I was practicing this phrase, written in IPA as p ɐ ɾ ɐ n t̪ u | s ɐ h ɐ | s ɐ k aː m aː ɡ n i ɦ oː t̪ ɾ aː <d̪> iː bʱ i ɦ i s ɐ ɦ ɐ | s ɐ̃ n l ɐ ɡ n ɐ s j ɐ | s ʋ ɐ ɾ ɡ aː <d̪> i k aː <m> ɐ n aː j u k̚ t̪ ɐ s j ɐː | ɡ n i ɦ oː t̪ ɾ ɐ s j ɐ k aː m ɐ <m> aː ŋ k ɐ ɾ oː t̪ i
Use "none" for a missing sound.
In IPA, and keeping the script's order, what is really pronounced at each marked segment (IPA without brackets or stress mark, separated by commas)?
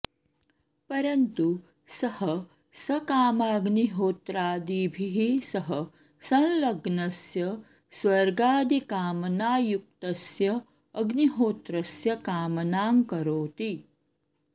d̪, d̪, m, n